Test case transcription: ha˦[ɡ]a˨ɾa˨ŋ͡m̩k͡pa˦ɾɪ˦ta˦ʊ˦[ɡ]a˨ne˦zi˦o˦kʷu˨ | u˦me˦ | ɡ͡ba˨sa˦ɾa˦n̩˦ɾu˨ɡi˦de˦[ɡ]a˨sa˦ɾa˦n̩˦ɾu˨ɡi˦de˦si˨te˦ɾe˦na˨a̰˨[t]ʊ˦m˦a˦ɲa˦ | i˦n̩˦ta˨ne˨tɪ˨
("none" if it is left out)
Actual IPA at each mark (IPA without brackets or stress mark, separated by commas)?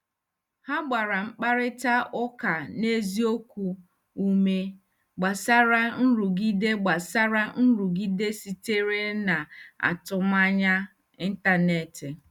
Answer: ɡ͡b, k, ɡ͡b, t